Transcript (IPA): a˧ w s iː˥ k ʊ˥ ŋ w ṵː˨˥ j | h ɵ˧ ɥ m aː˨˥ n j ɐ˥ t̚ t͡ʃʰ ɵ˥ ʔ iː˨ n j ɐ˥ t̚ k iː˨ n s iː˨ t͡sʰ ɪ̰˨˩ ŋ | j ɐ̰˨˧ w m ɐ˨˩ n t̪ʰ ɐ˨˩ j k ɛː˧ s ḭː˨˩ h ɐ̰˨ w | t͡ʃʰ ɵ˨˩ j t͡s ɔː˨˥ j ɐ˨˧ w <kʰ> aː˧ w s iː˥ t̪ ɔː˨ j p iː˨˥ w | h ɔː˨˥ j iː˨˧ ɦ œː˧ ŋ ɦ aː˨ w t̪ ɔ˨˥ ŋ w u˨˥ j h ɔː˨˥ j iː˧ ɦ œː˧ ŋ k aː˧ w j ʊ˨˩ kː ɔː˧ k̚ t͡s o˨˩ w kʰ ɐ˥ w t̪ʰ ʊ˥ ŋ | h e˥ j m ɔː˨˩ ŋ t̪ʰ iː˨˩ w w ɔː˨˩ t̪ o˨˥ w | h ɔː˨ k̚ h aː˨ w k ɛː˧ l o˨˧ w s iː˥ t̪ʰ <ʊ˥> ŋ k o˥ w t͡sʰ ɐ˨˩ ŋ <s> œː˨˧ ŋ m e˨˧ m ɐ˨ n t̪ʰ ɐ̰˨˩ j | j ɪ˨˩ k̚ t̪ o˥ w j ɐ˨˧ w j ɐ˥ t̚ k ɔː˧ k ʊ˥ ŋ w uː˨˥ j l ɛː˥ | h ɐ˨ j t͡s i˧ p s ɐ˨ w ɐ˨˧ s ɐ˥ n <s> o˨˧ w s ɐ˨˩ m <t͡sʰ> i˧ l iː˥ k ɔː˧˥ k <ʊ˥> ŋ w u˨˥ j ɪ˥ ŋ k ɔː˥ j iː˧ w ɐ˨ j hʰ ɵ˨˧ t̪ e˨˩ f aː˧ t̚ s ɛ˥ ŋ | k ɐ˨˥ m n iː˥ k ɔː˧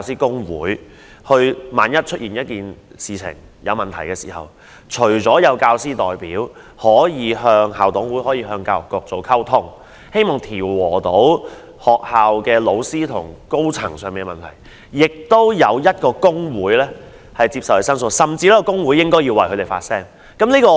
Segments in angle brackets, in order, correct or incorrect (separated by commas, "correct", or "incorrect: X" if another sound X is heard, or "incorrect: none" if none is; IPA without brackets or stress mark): incorrect: k, incorrect: ʊ˨˩, correct, correct, incorrect: t͡s, correct